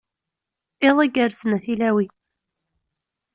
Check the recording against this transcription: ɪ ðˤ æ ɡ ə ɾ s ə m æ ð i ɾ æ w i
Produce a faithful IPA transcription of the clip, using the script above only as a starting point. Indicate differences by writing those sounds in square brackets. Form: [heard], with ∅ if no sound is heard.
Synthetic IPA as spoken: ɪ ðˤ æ ɡ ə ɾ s ə [n] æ [θ] i [l] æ w i